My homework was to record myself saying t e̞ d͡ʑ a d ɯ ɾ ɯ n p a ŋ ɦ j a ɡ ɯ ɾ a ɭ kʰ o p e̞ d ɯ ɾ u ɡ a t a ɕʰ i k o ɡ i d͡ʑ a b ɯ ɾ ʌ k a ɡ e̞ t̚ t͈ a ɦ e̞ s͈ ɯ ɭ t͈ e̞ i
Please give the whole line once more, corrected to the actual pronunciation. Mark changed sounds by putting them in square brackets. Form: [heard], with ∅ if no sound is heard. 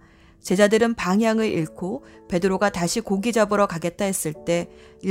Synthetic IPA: [t͡ɕ] e̞ d͡ʑ a d ɯ ɾ ɯ n p a ŋ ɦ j a [ŋ] ɯ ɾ [i] ɭ kʰ o p e̞ d ɯ ɾ [o] ɡ a t a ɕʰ i k o ɡ i d͡ʑ a b ɯ ɾ ʌ k a ɡ e̞ t̚ t͈ a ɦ e̞ s͈ ɯ ɭ t͈ e̞ i